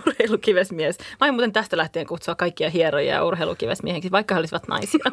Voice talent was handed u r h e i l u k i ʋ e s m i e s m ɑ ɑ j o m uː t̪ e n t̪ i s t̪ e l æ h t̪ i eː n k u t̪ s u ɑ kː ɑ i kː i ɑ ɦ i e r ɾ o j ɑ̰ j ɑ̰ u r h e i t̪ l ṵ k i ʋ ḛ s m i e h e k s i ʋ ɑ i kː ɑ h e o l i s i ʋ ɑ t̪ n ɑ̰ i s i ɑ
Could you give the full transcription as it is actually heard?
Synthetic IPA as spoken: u r h e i l u k i ʋ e s m i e s m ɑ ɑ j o m uː t̪ e n t̪ æ s t̪ æ l æ h t̪ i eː ŋ k u t̪ s u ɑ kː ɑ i kː i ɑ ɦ i e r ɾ o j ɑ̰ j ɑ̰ u r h e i l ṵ k i ʋ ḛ s m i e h e k s i ʋ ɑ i kː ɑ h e o l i s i ʋ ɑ t̪ n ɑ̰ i s i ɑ